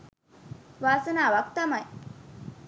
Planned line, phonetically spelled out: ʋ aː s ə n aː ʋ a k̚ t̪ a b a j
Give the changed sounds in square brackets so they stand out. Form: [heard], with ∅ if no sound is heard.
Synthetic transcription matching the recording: ʋ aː s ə n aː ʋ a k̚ t̪ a [m] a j